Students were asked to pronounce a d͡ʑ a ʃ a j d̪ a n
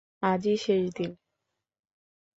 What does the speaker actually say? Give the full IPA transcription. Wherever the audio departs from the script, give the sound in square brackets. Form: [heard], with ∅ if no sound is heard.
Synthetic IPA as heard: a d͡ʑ [i] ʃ [e] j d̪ [i] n